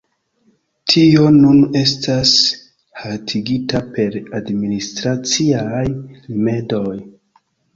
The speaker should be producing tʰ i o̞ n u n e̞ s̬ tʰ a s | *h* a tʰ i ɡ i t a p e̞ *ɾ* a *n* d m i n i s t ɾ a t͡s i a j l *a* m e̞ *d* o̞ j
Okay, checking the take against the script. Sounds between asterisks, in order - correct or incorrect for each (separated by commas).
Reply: correct, correct, incorrect, incorrect, correct